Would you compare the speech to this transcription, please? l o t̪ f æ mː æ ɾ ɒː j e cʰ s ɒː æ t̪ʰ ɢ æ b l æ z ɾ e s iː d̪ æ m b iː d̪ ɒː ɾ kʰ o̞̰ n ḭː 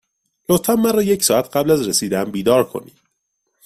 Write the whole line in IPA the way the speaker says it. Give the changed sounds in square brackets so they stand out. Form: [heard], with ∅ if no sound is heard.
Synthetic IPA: l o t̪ f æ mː æ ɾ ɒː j e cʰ s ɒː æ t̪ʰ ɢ æ b l æ z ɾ e s iː d̪ æ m b iː d̪ ɒː ɾ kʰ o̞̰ n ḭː